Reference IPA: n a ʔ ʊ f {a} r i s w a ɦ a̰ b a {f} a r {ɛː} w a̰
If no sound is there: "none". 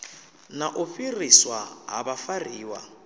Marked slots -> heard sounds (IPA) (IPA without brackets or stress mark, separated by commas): i, f, iː